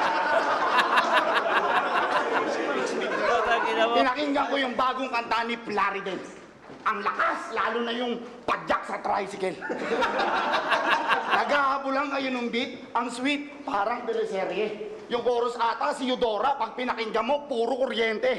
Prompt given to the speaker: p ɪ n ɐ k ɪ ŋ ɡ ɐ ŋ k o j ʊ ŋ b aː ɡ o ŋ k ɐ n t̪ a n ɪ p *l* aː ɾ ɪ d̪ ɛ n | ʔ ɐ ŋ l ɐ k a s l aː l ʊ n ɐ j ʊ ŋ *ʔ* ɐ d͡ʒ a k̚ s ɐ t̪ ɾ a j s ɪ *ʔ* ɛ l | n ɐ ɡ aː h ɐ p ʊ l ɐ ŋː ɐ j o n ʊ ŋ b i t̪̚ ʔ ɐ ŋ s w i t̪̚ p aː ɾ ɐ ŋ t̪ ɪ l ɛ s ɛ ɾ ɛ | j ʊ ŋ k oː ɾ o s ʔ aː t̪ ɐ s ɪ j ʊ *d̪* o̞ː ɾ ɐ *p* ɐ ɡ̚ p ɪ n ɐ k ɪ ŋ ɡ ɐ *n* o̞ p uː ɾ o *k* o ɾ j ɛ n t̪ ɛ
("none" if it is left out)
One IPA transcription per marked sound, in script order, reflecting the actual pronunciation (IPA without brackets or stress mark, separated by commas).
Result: l, p, k, d̪, p, m, k